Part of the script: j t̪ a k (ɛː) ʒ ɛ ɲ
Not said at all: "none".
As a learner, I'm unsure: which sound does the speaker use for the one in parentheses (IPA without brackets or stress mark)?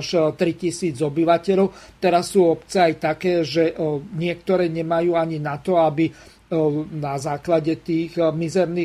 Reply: ɛː